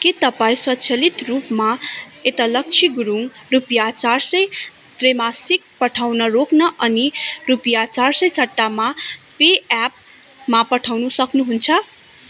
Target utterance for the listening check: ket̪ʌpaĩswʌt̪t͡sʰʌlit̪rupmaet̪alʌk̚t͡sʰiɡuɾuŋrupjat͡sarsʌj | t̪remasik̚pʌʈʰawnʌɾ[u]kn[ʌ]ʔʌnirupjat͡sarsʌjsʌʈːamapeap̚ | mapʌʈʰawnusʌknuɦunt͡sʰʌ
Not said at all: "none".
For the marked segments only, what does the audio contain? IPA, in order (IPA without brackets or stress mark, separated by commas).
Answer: o, ʌ